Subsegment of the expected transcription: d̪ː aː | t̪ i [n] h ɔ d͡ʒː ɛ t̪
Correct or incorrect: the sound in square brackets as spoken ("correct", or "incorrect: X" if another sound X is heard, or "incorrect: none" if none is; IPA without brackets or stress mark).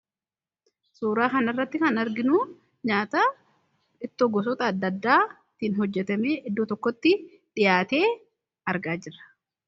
correct